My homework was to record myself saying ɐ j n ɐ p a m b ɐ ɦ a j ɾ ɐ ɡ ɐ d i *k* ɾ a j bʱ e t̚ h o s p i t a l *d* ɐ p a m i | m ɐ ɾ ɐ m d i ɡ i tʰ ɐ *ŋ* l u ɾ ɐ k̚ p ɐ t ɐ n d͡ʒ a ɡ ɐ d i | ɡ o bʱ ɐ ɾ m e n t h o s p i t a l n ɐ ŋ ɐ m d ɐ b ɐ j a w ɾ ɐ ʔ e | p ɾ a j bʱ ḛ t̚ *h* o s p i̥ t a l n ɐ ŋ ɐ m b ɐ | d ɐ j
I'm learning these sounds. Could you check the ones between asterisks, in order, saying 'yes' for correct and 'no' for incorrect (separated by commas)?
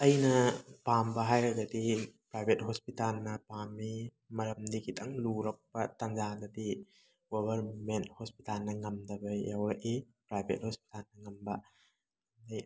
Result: no, no, yes, yes